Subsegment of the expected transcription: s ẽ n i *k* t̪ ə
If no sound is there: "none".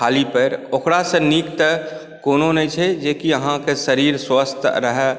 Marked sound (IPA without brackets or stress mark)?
k